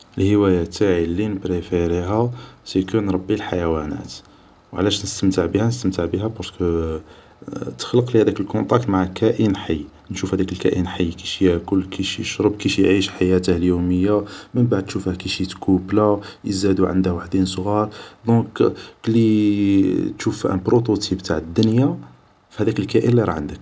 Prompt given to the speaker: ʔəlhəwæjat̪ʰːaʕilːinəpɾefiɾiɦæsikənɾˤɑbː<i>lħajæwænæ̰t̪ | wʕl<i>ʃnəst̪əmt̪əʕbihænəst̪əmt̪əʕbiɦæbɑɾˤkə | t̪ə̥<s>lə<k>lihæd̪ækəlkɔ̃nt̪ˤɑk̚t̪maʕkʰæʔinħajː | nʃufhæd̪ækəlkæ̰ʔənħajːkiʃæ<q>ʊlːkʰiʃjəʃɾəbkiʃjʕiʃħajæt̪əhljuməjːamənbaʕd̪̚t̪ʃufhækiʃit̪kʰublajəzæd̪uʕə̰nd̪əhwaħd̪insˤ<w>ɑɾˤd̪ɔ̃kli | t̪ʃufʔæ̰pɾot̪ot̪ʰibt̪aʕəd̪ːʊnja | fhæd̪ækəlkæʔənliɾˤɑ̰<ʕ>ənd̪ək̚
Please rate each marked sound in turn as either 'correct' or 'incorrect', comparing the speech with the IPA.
correct, incorrect: æ, incorrect: x, incorrect: q, incorrect: k, incorrect: ɣ, correct

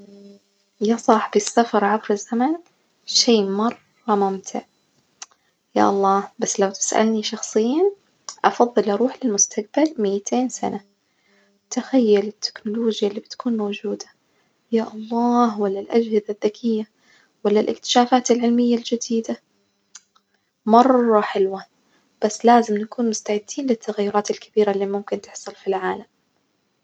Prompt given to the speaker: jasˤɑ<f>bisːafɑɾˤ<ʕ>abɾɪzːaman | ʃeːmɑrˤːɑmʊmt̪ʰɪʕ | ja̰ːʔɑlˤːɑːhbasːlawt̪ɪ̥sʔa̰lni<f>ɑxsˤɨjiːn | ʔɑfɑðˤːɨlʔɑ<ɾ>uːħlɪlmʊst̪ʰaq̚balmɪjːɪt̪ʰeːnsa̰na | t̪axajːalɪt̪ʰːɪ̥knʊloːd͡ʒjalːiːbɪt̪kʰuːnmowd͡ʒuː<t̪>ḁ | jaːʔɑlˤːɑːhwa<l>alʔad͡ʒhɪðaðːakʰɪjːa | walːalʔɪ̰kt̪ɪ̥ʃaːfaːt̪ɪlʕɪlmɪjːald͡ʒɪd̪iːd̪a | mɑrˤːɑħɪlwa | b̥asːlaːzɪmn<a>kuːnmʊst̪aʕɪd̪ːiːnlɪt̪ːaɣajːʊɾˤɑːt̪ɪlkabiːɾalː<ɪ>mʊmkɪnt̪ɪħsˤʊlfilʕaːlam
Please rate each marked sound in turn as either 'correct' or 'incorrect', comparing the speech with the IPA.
incorrect: ħ, correct, incorrect: ʃ, correct, incorrect: d̪, incorrect: lː, correct, incorrect: i

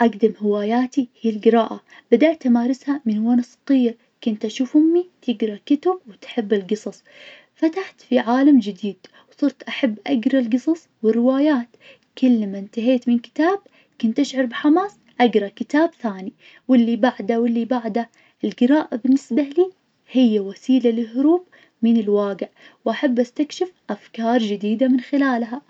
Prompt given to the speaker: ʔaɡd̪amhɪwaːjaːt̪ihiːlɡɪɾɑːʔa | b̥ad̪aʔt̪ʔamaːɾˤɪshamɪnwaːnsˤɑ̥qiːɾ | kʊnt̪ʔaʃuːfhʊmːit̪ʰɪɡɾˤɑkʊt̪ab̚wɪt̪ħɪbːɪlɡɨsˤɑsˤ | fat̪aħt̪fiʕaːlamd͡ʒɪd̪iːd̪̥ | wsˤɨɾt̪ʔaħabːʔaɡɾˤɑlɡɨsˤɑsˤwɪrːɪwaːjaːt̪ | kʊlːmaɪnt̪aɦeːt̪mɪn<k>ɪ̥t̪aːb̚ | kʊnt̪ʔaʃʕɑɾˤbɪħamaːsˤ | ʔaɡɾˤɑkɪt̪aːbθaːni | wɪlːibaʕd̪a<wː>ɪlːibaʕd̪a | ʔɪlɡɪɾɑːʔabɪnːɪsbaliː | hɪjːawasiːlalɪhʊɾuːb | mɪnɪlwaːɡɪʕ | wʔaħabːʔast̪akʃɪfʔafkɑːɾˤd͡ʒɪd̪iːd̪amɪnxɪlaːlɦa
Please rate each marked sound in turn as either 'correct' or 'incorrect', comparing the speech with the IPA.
correct, incorrect: w

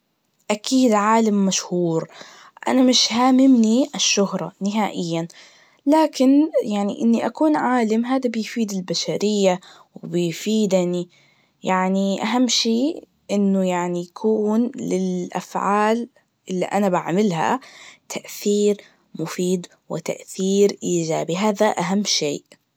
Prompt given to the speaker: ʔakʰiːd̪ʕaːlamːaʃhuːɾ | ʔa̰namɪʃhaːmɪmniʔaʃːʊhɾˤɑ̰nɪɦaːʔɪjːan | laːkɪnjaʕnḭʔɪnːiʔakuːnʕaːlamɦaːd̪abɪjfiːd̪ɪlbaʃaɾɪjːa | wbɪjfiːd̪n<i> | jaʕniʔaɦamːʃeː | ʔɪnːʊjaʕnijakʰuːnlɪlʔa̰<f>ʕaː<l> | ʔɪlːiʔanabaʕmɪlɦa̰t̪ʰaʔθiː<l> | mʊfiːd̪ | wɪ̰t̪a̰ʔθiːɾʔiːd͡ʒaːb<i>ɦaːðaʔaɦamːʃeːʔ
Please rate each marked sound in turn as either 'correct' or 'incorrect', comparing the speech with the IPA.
correct, correct, correct, incorrect: ɾ, correct

